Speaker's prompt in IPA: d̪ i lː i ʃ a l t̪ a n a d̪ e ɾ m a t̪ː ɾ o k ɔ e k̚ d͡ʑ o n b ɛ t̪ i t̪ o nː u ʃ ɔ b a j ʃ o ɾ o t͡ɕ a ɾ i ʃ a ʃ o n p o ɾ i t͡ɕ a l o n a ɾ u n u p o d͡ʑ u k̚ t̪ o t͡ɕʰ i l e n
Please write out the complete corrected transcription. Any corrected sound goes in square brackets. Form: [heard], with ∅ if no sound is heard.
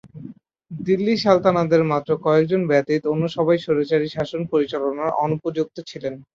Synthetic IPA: d̪ i lː i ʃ a l t̪ a n a d̪ e ɾ m a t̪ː ɾ o k ɔ e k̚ d͡ʑ o n b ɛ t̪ i t̪ o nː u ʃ ɔ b a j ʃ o ɾ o t͡ɕ a ɾ i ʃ a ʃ o n p o ɾ i t͡ɕ a l o n a ɾ [ɔ] n u p o d͡ʑ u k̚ t̪ o t͡ɕʰ i l e n

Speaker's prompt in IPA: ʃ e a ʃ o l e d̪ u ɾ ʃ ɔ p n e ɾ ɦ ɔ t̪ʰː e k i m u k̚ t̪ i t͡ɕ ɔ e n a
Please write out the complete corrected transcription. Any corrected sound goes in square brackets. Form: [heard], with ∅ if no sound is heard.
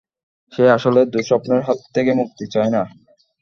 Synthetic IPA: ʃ e a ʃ o l e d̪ u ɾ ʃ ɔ p n e ɾ ɦ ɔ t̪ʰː e k [e] m u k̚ t̪ i t͡ɕ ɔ e n a

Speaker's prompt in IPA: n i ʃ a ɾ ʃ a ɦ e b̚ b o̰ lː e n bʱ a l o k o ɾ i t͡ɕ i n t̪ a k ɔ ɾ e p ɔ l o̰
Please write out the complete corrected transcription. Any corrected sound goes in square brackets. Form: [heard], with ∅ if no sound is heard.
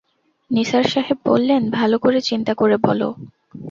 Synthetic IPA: n i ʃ a ɾ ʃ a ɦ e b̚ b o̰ lː e n bʱ a l o k o ɾ [e] t͡ɕ i n t̪ a k [o] ɾ e [b] ɔ l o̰

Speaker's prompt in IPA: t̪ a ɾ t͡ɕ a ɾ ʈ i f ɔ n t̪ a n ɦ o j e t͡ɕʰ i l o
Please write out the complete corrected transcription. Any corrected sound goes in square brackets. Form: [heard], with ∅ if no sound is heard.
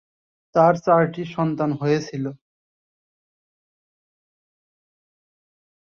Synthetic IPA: t̪ a ɾ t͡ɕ a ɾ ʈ i [ʃ] ɔ n t̪ a n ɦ o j e t͡ɕʰ i l o

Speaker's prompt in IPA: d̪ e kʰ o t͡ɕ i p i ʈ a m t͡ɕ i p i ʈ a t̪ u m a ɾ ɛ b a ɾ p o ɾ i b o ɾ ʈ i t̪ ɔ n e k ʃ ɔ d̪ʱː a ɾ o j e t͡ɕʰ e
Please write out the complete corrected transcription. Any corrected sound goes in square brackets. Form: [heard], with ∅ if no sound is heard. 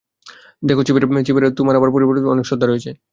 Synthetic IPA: d̪ e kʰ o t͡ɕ i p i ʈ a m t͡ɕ i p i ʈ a t̪ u m a ɾ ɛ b a ɾ p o ɾ i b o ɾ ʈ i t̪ ɔ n e k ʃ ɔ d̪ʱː a ɾ o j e t͡ɕʰ e

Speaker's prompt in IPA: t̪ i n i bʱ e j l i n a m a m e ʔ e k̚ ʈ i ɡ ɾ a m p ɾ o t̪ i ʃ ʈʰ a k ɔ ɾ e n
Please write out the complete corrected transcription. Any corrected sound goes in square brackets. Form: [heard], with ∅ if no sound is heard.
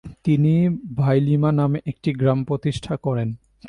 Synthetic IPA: t̪ i n i bʱ [a] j l i [m] a [n] a m e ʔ e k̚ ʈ i ɡ ɾ a m p ɾ o t̪ i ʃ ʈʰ a k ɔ ɾ e n

